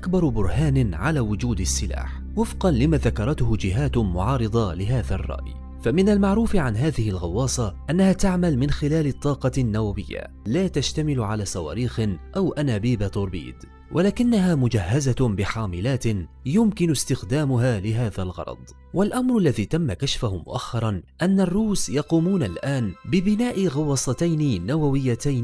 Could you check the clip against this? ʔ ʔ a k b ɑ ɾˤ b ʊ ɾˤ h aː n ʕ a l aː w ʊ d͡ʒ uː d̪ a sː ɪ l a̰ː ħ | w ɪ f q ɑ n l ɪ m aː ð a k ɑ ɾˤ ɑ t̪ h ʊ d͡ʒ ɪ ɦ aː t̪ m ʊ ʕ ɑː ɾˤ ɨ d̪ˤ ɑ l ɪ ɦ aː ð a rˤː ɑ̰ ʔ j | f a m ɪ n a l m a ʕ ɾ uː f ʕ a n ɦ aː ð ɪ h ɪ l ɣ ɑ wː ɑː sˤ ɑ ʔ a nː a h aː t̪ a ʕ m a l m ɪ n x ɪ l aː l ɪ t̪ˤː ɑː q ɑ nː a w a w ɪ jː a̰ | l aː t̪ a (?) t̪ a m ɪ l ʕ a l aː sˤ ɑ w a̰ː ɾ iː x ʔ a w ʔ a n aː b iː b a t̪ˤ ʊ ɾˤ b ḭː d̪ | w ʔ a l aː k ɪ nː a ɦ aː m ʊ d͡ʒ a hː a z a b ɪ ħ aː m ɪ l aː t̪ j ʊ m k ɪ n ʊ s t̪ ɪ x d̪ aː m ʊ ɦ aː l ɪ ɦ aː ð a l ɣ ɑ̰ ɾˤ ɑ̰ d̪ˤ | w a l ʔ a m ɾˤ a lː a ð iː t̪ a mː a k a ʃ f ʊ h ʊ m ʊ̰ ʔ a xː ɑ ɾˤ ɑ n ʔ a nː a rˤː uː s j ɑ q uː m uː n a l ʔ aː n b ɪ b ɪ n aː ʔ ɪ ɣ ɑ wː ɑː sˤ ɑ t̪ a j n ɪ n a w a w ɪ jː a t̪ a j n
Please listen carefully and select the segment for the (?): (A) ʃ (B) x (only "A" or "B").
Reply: A